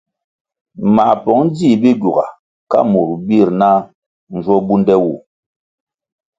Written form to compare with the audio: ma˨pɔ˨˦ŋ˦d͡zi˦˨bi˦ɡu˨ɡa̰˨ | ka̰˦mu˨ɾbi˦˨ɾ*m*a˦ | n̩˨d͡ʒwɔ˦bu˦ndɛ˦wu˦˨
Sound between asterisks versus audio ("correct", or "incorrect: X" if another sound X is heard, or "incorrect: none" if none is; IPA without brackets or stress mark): incorrect: n